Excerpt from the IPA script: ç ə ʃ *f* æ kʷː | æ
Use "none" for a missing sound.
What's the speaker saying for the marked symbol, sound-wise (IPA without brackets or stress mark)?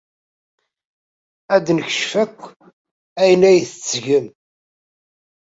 f